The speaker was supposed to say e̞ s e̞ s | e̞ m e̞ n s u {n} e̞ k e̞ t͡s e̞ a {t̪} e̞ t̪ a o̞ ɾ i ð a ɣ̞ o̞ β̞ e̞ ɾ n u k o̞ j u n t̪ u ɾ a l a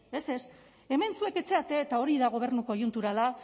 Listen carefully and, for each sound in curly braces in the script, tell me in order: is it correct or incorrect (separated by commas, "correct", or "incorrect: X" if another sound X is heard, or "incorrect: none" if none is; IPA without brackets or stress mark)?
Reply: incorrect: none, correct